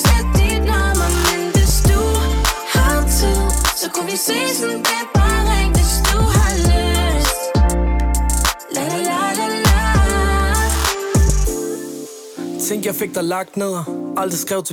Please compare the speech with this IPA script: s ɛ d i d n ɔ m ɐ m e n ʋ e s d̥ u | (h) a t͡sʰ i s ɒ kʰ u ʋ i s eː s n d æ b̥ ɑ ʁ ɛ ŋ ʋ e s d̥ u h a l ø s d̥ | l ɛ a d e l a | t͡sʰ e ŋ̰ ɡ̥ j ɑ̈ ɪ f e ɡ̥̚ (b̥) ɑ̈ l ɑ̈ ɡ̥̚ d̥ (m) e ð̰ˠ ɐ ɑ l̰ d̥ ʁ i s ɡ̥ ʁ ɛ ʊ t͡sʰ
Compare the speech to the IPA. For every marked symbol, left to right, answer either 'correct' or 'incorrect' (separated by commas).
correct, incorrect, incorrect